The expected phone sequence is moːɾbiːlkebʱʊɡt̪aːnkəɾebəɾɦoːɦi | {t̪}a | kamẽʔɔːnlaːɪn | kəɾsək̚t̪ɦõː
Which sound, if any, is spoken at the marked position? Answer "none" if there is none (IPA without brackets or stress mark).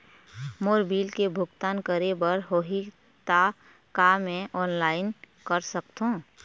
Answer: t̪